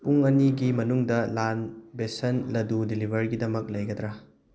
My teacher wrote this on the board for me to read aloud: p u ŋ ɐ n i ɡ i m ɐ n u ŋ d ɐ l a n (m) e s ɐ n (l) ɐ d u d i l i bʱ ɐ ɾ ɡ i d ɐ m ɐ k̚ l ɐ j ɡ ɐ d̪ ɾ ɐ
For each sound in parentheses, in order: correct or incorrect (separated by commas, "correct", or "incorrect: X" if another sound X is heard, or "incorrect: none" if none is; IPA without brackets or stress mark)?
incorrect: b, correct